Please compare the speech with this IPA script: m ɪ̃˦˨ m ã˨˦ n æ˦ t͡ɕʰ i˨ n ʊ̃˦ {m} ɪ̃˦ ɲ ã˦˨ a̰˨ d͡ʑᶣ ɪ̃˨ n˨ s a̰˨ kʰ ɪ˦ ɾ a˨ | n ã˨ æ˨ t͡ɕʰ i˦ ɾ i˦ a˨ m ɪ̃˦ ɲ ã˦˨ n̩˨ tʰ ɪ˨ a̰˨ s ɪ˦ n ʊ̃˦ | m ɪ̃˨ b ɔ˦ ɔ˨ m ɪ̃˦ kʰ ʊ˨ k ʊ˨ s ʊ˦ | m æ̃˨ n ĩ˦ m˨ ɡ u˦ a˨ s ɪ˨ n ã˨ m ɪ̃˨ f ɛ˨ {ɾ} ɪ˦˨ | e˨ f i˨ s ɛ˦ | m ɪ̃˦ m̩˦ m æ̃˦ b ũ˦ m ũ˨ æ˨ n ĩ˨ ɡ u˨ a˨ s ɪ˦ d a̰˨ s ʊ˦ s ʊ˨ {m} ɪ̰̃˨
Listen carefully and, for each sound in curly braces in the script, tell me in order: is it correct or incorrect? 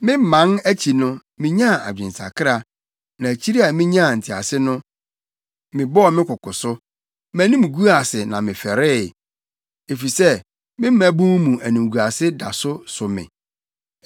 correct, correct, correct

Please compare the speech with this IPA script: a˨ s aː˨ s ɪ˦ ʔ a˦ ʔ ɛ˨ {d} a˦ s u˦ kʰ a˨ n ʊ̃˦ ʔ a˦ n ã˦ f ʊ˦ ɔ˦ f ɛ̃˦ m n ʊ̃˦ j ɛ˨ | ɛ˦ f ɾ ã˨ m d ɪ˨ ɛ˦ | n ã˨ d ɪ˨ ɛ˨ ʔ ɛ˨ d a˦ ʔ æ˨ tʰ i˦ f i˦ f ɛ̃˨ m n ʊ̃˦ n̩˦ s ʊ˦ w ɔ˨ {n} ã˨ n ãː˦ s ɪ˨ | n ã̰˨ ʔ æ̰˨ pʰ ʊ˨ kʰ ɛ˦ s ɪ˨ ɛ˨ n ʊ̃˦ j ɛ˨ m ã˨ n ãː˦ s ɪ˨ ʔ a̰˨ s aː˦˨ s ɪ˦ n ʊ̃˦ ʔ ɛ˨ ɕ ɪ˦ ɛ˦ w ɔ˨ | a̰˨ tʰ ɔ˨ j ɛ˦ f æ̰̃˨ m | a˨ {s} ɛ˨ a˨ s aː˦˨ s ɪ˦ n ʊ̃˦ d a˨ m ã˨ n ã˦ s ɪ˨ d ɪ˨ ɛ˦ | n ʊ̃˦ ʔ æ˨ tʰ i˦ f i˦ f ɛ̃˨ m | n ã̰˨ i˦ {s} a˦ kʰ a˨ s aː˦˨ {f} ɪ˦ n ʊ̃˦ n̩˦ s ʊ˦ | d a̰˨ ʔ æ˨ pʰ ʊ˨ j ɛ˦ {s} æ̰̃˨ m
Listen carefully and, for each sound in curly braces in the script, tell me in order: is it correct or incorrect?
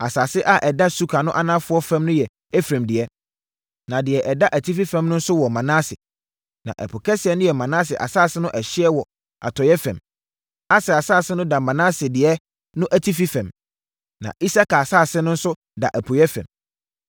correct, incorrect: m, correct, correct, incorrect: s, incorrect: f

